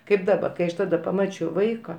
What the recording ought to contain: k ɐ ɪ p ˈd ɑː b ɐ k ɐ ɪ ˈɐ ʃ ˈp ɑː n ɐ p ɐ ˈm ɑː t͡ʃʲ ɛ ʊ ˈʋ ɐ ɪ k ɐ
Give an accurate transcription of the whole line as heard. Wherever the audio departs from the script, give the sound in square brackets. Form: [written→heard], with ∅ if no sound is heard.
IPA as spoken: k ɐ ɪ p ˈd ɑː b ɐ k ɐ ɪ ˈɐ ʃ [ˈp→ˈt] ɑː [n→d] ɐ p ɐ ˈm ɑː t͡ʃʲ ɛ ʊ ˈʋ ɐ ɪ k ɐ